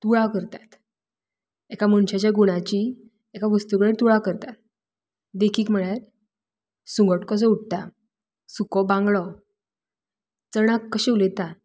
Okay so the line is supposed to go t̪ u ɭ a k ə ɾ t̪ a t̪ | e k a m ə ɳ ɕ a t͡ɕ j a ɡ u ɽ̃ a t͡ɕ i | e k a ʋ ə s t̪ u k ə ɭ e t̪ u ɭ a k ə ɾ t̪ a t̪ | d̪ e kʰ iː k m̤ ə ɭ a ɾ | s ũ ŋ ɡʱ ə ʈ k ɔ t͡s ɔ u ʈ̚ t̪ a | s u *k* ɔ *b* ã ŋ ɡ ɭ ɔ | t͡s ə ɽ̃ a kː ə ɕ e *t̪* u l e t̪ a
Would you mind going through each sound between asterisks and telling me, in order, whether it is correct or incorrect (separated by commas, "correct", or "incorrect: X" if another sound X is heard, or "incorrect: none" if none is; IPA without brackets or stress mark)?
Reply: correct, correct, incorrect: none